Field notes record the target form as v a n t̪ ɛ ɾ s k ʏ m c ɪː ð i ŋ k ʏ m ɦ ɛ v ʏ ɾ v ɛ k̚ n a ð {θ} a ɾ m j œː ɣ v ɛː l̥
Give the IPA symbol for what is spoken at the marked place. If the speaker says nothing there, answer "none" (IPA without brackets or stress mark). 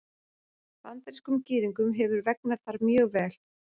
θ